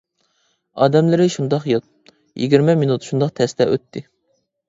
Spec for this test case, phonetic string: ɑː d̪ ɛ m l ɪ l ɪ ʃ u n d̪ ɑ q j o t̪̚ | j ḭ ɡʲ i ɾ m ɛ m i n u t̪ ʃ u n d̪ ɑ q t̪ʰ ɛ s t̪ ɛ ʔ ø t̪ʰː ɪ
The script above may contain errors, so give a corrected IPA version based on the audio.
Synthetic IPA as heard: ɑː d̪ ɛ m l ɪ ɾ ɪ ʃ u n d̪ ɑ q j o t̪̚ | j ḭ ɡʲ i ɾ m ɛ m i n u t̪ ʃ u n d̪ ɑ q t̪ʰ ɛ s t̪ ɛ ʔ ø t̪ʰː ɪ